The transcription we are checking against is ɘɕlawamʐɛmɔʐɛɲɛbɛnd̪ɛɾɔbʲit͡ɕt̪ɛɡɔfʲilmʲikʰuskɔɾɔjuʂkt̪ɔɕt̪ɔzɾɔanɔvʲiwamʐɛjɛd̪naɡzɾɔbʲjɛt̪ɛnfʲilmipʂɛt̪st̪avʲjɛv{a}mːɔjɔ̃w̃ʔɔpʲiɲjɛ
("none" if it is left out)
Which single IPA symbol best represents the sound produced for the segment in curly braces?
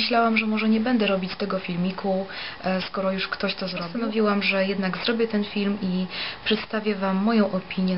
a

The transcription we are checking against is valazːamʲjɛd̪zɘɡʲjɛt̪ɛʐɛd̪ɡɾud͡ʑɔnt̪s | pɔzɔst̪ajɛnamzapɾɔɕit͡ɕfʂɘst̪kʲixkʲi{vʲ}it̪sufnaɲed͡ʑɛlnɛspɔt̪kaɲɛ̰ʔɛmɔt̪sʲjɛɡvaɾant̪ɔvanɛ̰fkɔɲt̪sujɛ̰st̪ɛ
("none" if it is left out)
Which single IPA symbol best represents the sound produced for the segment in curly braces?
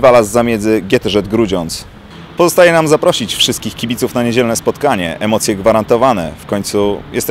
bʲ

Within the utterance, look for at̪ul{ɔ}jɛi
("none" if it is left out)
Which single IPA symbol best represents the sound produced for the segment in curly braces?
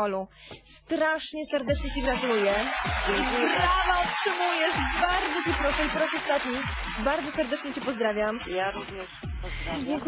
u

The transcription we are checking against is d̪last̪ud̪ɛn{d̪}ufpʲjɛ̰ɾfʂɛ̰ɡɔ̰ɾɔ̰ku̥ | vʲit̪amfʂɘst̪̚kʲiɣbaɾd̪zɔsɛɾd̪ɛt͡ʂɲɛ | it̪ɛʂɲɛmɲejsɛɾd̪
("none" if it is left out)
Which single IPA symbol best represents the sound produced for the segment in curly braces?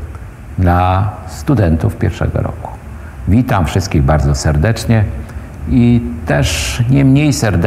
t̪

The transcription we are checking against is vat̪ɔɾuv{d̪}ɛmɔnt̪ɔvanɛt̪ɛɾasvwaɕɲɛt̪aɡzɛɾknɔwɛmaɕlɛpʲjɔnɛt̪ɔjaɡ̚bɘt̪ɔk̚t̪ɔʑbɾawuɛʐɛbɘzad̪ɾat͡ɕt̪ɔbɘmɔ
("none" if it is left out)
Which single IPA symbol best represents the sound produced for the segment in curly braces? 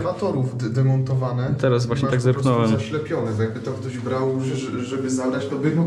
d̪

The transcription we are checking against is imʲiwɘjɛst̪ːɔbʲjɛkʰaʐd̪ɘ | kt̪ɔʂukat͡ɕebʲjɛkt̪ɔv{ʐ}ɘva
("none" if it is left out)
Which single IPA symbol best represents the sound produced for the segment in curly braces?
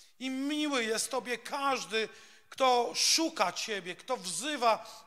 z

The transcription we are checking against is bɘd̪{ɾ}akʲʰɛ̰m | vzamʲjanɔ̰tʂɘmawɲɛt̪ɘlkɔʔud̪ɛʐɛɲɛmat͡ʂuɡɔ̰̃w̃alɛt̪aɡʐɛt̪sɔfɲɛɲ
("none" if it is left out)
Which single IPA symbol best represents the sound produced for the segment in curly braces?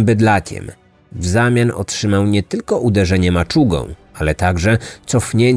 l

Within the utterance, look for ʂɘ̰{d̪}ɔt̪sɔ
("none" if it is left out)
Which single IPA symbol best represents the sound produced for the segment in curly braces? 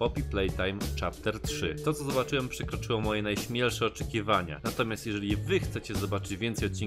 t̪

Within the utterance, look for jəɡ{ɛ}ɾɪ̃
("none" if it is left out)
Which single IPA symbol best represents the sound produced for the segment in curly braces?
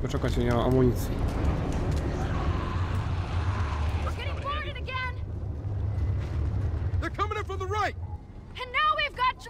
ɛ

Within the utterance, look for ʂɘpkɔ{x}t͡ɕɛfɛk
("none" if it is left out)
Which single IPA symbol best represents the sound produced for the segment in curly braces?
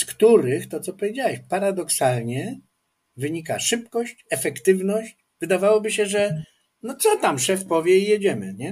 ɕ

